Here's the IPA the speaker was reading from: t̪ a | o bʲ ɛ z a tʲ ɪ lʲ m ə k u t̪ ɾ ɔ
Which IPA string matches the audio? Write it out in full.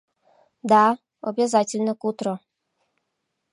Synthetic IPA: d̪ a | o bʲ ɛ z a tʲ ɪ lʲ n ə k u t̪ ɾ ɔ